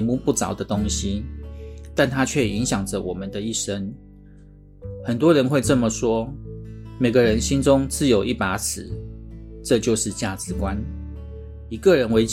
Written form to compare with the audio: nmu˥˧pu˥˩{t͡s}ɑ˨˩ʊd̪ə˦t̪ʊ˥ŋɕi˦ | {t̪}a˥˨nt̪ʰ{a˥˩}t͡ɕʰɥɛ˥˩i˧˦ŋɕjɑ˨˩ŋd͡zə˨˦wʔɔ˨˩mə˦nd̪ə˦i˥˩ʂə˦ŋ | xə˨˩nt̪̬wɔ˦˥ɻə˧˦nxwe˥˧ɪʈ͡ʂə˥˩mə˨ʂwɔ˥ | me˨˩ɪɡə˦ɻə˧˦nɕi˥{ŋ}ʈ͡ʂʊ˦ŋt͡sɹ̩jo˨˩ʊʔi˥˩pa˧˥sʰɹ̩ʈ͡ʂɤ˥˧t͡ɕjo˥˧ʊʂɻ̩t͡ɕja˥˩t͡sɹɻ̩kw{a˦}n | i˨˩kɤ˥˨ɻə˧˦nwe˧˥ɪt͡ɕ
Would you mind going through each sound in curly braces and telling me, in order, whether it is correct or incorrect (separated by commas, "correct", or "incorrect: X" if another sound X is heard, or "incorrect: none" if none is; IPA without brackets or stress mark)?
correct, correct, incorrect: a˥, incorrect: n, correct